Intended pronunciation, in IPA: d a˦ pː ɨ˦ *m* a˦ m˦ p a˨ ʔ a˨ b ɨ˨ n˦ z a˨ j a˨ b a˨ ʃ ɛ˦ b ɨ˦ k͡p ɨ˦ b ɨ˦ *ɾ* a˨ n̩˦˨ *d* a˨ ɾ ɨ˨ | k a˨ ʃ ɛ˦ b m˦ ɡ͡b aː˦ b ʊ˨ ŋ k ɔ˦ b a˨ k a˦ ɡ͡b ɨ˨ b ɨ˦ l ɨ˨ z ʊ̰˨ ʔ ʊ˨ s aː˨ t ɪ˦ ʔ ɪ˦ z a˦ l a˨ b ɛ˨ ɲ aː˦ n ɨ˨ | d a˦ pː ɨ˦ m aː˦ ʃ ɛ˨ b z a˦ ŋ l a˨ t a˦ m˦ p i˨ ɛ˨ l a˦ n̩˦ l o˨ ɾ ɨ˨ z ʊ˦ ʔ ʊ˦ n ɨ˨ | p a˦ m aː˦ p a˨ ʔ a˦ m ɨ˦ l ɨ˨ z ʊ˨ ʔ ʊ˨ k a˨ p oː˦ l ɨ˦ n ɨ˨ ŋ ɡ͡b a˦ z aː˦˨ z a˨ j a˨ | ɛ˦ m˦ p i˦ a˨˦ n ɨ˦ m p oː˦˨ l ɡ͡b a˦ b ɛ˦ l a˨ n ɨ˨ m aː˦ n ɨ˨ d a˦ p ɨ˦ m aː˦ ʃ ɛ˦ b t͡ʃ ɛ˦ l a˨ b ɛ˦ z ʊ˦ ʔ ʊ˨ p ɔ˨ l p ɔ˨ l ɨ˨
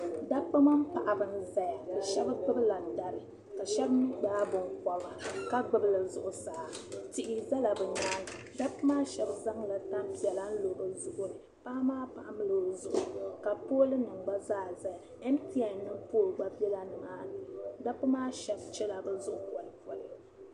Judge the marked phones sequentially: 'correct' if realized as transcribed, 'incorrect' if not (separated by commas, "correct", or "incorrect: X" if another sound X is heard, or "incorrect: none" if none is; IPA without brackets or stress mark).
correct, incorrect: l, correct